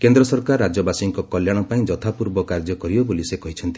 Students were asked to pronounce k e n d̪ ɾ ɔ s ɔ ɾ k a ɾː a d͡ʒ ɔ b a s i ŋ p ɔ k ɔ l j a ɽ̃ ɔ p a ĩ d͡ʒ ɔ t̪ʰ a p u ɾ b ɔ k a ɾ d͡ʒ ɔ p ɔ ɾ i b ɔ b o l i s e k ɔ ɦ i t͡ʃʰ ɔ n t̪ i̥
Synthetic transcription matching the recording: k e n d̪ ɾ ɔ s ɔ ɾ k a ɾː a d͡ʒ ɔ b a s i ŋ k ɔ k ɔ l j a ɽ̃ ɔ p a ĩ d͡ʒ ɔ t̪ʰ a p u ɾ b ɔ k a ɾ d͡ʒ ɔ k ɔ ɾ i b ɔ b o l i s e k ɔ ɦ i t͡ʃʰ ɔ n t̪ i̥